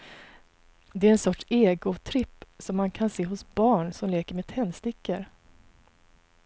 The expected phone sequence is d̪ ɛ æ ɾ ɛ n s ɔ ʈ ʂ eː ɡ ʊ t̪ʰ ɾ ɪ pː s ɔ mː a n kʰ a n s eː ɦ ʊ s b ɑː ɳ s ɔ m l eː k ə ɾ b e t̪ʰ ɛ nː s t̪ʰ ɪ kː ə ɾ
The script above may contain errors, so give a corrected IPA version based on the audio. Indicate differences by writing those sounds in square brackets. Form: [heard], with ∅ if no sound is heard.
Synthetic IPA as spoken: d̪ ɛ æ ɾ ɛ n s ɔ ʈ ʂ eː ɡ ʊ t̪ʰ ɾ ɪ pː s ɔ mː a n kʰ a n s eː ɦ ʊ s b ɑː ɳ s ɔ m l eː k ə ɾ [m] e t̪ʰ ɛ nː s [t̪] ɪ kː ə ɾ